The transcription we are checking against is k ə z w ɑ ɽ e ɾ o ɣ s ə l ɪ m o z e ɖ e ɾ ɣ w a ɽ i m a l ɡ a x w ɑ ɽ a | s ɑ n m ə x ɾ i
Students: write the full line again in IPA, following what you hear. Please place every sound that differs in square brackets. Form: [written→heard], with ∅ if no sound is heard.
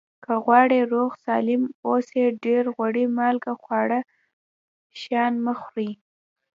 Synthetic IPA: k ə [z→ɣ] w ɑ ɽ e ɾ o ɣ s [ə→ɑ] l ɪ m o [z→s] e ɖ e ɾ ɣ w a ɽ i m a l ɡ a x w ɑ ɽ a | [s→ʃ] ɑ n m ə x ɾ i